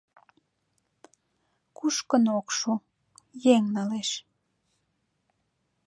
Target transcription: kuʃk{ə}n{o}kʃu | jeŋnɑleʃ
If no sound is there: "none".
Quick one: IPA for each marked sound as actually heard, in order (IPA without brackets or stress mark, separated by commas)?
ə, o